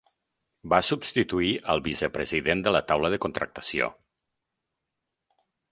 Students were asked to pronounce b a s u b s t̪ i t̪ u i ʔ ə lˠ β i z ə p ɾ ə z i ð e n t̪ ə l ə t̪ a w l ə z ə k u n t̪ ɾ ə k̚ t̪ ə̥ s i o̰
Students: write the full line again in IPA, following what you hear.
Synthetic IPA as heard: b a s u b s t̪ i t̪ u i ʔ ə lˠ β i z ə p ɾ ə z i ð e n d̪ ə l ə t̪ a w l ə ð ə k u n t̪ ɾ ə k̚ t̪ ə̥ s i o̰